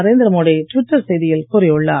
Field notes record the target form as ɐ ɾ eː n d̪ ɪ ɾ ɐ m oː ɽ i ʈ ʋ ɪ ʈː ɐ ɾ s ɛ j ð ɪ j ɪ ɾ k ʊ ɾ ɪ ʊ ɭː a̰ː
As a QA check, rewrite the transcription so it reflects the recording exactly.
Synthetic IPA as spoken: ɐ ɾ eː n d̪ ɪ ɾ ɐ m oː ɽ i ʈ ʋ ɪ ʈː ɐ ɾ s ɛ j ð ɪ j ɪ l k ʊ ɾ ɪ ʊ ɭː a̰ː